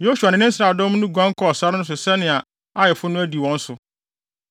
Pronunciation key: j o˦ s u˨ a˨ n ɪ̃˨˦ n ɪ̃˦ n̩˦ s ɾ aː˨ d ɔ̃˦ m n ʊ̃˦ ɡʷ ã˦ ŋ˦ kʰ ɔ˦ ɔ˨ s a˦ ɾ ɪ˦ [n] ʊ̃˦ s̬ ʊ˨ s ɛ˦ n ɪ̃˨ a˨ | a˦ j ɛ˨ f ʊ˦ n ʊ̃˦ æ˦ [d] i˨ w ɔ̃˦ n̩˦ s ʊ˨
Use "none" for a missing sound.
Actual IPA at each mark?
n, d

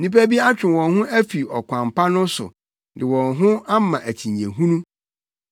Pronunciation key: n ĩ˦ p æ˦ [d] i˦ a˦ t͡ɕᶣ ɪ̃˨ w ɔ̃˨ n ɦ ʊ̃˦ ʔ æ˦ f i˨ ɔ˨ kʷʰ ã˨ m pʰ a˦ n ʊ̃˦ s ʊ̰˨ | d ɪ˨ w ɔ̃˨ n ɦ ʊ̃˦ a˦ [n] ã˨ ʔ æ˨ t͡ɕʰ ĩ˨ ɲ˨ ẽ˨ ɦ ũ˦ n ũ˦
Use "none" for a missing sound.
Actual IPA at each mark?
b, m

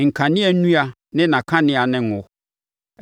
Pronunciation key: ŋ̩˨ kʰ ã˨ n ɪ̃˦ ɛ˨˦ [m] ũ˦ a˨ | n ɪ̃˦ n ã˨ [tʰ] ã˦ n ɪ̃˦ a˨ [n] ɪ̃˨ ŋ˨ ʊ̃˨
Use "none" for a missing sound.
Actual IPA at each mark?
n, kʰ, n

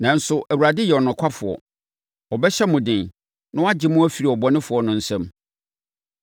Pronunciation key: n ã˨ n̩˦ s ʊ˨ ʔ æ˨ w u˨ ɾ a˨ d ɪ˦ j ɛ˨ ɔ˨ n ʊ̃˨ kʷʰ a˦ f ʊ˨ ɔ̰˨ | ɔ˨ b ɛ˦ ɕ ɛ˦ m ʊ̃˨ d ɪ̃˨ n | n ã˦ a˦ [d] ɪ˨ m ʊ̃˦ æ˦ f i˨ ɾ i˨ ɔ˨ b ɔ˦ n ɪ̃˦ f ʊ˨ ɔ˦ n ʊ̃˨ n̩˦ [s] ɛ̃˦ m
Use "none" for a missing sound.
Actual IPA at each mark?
d͡ʑ, s

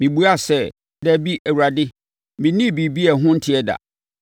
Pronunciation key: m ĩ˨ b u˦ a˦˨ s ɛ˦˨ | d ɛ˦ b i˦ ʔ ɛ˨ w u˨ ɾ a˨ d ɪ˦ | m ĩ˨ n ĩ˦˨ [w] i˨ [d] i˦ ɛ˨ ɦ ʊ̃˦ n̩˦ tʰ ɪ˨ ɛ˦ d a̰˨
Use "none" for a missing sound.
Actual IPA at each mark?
b, b

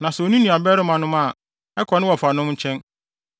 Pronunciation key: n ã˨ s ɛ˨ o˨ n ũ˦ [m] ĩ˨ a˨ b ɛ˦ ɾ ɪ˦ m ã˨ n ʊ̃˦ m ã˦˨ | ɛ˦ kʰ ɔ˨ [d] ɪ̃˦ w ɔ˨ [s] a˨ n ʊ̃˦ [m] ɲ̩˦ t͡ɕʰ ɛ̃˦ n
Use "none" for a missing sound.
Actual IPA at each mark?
n, n, f, m

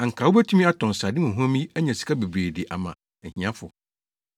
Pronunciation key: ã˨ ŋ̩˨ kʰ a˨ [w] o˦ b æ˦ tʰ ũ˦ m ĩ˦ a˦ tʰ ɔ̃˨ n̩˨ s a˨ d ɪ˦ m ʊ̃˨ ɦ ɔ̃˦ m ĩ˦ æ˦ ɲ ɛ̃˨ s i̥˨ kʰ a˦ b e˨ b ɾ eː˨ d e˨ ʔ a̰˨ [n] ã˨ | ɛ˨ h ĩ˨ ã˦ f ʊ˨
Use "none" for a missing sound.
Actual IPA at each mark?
w, m

